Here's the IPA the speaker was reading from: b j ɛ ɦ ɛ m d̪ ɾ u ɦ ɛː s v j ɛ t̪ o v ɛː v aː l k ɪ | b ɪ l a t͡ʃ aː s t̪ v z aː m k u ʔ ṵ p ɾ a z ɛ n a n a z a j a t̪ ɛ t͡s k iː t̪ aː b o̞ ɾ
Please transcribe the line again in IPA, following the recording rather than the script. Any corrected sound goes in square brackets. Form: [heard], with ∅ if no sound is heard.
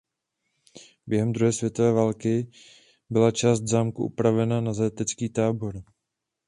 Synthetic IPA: b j ɛ ɦ ɛ m d̪ ɾ u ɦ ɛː s v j ɛ t̪ o v ɛː v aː l k ɪ | b ɪ l a t͡ʃ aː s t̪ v z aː m k u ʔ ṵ p ɾ a [v] ɛ n a n a z a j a t̪ ɛ t͡s k iː t̪ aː b o̞ ɾ